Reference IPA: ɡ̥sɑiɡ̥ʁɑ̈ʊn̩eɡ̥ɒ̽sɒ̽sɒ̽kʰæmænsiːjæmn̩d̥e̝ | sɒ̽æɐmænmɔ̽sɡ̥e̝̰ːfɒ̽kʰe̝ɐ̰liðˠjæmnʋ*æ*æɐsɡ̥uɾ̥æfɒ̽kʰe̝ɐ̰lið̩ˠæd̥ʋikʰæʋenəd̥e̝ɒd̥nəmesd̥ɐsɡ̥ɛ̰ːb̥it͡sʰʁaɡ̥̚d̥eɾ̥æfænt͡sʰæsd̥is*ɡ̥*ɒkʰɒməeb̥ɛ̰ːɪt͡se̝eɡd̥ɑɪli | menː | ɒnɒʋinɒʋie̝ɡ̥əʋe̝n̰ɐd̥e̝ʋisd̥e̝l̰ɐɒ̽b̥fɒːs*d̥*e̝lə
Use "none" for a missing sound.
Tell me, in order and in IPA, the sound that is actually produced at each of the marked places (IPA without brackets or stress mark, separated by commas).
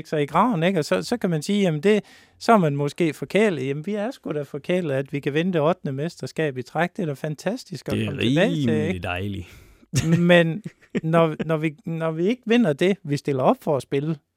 i, ɡ̥, b̥